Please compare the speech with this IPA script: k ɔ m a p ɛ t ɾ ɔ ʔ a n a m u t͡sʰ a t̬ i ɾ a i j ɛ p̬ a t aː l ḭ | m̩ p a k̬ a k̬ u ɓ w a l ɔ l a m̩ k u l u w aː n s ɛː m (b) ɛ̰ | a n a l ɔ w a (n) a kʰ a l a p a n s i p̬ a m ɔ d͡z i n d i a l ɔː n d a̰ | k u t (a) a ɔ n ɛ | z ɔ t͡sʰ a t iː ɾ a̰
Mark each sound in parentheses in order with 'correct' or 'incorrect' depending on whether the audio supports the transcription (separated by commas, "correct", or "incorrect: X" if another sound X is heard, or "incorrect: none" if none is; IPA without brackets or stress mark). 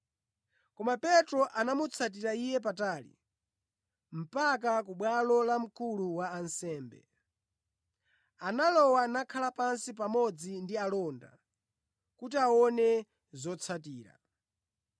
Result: correct, correct, incorrect: i